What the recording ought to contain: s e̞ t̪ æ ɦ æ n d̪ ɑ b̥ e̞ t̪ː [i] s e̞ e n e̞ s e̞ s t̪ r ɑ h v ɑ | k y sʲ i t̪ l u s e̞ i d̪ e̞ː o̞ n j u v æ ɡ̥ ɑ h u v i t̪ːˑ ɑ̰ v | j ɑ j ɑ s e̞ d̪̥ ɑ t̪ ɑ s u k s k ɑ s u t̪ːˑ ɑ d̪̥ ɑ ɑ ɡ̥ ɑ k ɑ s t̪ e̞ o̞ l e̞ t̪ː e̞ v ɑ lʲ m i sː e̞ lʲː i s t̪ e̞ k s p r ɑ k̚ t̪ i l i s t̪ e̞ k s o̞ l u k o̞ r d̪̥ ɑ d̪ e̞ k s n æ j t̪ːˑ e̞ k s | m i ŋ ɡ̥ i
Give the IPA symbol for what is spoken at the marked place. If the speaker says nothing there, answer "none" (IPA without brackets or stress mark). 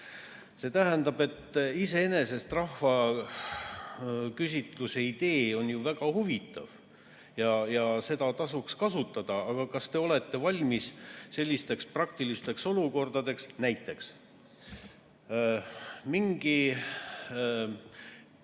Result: i